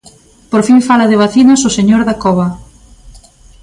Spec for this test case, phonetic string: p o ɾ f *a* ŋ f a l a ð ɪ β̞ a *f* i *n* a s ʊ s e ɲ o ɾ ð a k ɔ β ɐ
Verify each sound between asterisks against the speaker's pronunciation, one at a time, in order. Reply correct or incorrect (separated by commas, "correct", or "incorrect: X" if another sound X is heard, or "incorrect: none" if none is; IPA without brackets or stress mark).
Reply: incorrect: i, incorrect: θ, correct